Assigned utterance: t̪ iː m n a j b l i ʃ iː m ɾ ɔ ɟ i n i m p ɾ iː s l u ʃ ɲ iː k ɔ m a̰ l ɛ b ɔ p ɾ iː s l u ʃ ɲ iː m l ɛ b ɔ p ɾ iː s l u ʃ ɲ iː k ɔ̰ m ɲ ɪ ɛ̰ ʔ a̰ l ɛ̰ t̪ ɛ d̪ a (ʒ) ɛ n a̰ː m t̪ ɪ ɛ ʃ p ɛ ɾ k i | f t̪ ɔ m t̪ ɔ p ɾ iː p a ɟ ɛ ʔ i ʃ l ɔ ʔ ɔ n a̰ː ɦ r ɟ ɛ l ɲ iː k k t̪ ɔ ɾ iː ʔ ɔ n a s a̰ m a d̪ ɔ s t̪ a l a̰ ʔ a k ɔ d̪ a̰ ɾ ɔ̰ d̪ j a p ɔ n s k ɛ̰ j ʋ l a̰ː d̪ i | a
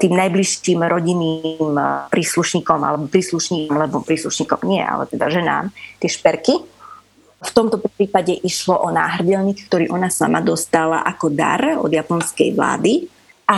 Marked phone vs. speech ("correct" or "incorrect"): correct